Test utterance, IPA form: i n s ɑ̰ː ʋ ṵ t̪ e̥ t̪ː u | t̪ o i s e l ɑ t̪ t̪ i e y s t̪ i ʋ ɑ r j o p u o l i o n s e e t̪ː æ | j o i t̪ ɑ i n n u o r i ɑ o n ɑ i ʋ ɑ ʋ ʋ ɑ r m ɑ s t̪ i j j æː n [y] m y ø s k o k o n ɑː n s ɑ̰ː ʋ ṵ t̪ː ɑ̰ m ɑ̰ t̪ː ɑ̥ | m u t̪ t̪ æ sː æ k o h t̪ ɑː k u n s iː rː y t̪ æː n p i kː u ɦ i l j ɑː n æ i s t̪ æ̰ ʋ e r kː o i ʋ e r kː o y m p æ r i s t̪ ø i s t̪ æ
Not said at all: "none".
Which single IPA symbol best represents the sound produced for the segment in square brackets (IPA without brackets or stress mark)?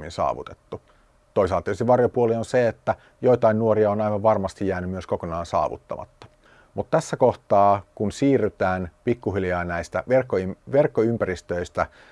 y